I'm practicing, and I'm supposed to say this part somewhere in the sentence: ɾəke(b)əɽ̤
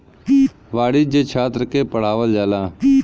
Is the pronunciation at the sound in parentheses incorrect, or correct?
incorrect